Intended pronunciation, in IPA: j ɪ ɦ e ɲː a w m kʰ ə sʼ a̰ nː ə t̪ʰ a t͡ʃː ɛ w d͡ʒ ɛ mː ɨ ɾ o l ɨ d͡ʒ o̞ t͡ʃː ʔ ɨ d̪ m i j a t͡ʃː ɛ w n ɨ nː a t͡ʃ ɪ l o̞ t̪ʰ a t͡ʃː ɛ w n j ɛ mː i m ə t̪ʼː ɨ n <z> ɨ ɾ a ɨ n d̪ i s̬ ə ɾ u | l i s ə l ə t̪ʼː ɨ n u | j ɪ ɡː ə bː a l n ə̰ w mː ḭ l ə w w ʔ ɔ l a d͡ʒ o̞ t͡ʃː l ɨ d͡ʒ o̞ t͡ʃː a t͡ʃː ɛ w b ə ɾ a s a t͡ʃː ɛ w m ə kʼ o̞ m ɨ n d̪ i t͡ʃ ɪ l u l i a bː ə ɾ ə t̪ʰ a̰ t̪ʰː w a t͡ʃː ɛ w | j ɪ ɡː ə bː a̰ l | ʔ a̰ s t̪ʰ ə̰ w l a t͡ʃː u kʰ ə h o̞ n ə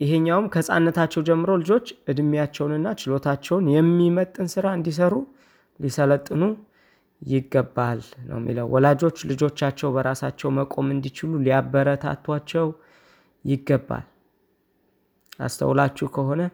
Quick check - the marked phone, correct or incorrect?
incorrect